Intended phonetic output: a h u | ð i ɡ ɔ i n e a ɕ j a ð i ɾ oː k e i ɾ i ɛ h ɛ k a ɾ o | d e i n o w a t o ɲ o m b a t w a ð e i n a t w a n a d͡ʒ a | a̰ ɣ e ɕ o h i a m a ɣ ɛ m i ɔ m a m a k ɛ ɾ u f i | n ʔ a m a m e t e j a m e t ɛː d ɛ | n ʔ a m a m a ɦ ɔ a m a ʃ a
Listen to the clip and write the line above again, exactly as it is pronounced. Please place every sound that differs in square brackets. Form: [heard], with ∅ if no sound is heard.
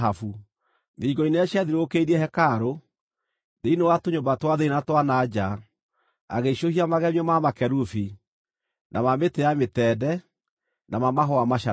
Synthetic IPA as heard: a [f] u | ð i ɡ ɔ i n e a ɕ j a ð i ɾ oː k e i ɾ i ɛ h ɛ k a ɾ o | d e i n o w a t o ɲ o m b a t w a ð e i n a t w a n a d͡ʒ a | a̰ ɣ e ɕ o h i a m a ɣ ɛ m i ɔ m a m a k ɛ ɾ u f i | n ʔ a m a m e t e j a m e t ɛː d ɛ | n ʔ a m a m a ɦ ɔ a m a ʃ a